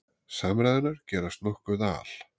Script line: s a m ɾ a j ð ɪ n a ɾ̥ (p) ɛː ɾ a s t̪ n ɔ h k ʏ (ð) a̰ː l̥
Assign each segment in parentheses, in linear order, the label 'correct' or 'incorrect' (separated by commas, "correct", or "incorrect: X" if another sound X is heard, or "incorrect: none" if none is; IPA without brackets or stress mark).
incorrect: c, correct